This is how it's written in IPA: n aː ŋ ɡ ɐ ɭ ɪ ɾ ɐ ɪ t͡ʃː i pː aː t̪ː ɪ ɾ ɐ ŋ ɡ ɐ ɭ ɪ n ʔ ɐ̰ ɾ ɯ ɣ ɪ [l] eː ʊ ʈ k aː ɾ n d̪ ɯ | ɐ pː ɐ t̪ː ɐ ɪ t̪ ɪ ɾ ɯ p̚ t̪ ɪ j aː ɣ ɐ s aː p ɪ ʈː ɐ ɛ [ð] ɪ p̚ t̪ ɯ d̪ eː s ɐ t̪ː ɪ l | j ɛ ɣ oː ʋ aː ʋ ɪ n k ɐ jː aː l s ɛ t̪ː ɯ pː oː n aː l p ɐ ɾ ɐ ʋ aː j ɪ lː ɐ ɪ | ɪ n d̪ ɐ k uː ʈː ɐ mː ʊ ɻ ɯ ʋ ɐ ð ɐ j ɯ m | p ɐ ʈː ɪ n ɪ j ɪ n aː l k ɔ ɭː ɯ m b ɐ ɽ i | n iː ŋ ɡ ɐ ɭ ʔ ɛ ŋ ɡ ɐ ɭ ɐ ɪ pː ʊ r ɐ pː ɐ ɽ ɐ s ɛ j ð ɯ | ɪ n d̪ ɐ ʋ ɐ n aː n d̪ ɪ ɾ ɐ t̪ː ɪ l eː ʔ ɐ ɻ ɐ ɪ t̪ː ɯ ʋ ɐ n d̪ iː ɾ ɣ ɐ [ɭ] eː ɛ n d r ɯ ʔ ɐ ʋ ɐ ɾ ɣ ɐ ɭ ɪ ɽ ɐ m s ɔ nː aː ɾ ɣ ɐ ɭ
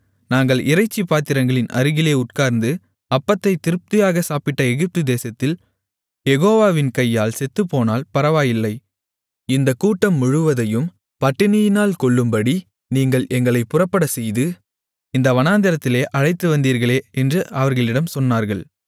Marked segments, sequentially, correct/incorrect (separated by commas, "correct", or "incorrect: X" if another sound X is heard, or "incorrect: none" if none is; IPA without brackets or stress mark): correct, incorrect: ɣ, correct